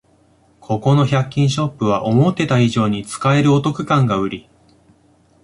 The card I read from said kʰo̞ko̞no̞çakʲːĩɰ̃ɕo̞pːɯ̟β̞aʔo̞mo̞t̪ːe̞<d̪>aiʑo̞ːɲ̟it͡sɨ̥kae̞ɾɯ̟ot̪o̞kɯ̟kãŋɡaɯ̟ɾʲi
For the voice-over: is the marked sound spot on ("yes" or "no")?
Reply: no